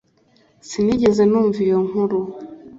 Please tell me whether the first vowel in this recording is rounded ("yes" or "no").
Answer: no